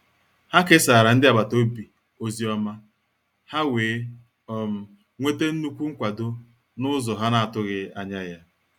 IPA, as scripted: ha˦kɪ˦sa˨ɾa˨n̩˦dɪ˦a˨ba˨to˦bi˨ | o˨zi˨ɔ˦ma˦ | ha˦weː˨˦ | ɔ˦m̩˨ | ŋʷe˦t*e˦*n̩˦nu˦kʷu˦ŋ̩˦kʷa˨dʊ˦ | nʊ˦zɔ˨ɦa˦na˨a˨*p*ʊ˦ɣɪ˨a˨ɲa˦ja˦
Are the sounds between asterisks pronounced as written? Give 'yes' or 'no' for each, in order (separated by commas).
yes, no